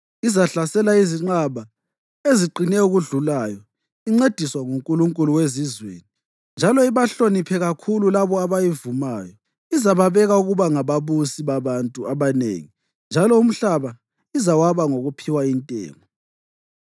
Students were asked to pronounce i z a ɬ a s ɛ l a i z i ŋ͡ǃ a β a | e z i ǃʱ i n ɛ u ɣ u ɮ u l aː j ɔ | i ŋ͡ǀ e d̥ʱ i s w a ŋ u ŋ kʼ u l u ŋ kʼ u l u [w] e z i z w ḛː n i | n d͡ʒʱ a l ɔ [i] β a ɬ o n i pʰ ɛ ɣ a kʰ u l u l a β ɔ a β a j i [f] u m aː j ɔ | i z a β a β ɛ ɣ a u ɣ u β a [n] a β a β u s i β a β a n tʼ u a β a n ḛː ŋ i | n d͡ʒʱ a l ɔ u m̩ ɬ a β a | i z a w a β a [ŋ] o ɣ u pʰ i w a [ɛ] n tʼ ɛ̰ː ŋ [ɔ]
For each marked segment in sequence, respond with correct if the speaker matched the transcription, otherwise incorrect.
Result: correct, correct, incorrect, incorrect, correct, incorrect, correct

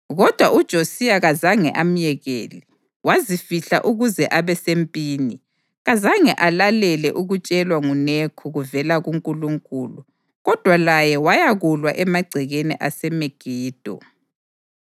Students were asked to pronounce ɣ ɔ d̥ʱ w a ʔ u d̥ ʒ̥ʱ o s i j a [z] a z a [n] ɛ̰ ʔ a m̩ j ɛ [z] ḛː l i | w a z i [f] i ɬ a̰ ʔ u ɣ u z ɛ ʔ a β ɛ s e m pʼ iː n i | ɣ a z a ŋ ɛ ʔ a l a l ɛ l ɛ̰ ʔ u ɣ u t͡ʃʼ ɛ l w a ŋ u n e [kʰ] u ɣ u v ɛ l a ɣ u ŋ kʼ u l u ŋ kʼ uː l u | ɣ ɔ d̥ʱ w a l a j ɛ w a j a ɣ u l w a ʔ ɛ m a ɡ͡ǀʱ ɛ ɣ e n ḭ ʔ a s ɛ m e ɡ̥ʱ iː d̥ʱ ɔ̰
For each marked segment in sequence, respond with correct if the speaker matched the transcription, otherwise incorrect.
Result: incorrect, incorrect, incorrect, correct, correct

